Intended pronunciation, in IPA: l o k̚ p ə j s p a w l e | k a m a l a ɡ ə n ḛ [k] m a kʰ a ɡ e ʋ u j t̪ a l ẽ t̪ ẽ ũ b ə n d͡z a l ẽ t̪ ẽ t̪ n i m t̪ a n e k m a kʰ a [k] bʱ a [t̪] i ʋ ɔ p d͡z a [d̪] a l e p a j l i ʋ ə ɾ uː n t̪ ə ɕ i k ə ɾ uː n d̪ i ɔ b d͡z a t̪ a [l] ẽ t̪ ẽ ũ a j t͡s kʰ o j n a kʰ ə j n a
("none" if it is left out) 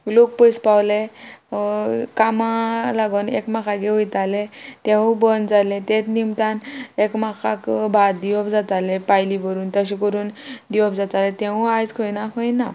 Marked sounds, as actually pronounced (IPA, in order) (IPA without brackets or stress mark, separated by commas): k, k, d̪, t̪, l